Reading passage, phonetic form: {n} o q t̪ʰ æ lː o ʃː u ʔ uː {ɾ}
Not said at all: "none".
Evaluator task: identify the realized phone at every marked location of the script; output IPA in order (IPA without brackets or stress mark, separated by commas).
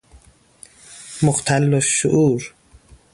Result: m, ɾ